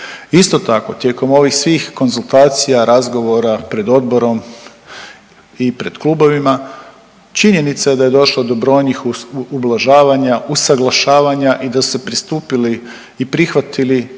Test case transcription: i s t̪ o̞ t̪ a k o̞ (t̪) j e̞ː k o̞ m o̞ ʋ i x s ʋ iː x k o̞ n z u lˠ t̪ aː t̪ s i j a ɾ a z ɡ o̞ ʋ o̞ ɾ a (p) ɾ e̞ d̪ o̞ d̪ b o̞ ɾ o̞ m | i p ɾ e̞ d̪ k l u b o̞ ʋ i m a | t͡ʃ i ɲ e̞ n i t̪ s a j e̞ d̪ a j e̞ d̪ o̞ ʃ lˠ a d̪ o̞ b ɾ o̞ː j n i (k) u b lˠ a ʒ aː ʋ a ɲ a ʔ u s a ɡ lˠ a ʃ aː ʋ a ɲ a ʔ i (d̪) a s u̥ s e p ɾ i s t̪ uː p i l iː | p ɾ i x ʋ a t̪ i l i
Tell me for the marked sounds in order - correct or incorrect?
correct, correct, incorrect, correct

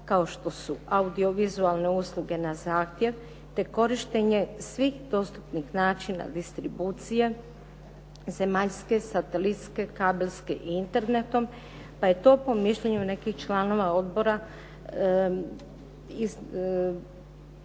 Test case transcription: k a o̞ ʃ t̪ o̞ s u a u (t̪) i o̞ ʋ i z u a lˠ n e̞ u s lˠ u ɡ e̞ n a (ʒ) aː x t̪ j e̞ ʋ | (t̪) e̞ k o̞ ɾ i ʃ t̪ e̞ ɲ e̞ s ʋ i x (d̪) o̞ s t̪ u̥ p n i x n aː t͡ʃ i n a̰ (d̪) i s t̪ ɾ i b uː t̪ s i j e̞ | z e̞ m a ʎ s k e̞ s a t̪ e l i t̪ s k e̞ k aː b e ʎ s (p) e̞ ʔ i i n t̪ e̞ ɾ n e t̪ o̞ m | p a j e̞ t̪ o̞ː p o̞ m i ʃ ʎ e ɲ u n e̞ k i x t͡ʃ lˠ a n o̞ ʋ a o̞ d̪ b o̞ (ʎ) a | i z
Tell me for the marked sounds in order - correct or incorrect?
incorrect, incorrect, correct, correct, correct, incorrect, incorrect

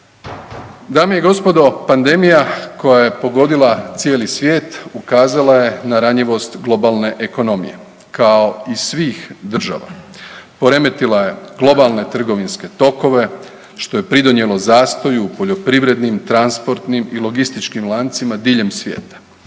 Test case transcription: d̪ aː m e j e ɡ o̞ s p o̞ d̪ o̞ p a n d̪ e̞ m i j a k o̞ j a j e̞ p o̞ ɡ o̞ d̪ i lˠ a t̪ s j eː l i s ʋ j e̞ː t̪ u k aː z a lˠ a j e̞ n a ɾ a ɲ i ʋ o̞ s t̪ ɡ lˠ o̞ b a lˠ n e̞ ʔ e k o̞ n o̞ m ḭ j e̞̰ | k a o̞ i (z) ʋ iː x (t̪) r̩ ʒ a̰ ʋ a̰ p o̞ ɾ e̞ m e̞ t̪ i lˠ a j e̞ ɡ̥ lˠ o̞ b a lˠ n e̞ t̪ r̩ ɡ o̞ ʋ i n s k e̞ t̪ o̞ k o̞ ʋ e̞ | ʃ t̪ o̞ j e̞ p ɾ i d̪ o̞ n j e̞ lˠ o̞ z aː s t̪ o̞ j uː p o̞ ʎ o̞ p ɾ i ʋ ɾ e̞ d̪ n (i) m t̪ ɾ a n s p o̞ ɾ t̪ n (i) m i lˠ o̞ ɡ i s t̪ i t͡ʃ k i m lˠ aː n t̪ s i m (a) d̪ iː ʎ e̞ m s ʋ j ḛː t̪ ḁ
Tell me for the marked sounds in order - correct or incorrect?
incorrect, incorrect, correct, correct, correct

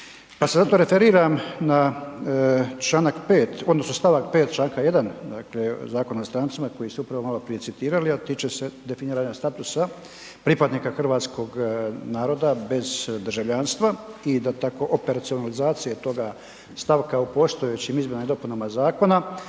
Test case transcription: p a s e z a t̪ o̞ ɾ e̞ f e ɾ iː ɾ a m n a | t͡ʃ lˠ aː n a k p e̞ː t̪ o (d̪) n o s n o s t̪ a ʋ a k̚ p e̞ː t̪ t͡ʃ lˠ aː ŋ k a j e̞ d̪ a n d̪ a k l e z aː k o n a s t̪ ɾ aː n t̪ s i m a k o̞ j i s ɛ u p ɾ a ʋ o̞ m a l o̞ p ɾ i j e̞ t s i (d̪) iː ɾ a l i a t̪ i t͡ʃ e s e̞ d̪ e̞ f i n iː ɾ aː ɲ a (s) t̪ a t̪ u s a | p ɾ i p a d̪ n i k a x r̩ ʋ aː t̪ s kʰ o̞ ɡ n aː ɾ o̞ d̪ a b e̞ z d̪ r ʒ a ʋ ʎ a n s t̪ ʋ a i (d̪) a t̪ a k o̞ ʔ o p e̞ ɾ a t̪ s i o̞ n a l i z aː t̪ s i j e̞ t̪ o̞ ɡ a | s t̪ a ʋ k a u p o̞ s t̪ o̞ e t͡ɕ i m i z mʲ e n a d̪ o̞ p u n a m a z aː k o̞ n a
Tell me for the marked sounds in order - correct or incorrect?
correct, incorrect, correct, correct

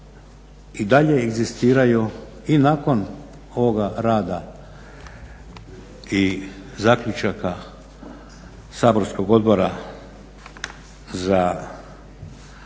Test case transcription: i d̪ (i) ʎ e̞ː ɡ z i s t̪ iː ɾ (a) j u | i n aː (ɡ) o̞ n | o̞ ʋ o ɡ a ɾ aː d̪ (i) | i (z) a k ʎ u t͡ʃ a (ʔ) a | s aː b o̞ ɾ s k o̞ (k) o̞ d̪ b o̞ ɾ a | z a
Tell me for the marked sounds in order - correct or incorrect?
incorrect, correct, incorrect, incorrect, correct, incorrect, incorrect

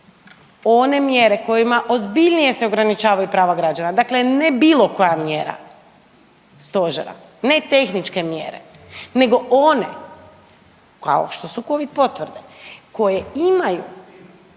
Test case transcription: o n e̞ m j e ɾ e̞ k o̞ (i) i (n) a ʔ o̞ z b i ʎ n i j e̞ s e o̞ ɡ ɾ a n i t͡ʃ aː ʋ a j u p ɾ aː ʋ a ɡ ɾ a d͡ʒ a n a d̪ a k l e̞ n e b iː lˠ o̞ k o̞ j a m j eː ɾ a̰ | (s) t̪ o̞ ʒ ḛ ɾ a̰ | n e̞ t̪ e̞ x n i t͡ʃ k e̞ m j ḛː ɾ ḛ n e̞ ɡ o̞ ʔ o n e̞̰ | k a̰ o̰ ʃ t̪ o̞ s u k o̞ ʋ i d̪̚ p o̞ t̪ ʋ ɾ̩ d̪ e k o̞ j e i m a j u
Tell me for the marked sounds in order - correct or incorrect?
incorrect, incorrect, correct

